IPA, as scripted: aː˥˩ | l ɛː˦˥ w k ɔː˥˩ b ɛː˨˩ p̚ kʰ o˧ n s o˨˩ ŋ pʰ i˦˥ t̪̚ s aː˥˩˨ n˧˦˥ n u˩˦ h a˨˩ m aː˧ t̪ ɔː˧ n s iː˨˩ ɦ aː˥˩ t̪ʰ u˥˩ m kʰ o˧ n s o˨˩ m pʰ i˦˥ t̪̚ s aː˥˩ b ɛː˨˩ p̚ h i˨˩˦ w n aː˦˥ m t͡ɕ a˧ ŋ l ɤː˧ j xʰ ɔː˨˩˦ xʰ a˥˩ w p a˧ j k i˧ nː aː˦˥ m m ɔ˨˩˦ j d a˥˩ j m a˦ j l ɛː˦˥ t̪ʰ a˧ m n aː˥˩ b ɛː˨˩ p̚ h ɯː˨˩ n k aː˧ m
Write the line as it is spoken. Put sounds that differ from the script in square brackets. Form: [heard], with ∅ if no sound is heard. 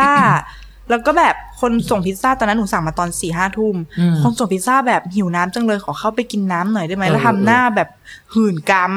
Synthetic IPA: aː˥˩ | l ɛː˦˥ w k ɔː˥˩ b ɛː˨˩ p̚ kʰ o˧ n s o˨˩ ŋ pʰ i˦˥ t̪̚ s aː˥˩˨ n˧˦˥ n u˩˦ [s] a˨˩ m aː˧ t̪ ɔː˧ n s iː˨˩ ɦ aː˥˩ t̪ʰ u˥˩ m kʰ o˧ n s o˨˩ [ŋ] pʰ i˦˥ t̪̚ s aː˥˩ b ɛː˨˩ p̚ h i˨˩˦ w n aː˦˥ m t͡ɕ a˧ ŋ l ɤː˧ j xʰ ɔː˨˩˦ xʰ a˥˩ w p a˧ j k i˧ nː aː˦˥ m [n] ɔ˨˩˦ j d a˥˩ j m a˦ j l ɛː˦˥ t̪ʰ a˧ m n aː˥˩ b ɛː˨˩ p̚ h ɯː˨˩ n k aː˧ m